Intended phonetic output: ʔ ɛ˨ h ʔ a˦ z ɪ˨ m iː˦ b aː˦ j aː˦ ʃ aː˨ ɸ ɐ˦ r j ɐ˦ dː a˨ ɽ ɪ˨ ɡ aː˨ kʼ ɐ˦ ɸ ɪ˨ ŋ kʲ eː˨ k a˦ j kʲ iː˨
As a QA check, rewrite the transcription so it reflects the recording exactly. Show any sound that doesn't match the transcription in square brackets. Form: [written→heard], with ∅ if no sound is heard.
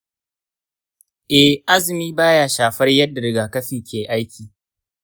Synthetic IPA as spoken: ʔ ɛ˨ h ʔ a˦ z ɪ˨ m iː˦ b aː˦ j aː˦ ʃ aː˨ ɸ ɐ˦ r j ɐ˦ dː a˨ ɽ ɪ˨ ɡ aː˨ [kʼ→k] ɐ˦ ɸ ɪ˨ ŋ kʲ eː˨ [k→ʔ] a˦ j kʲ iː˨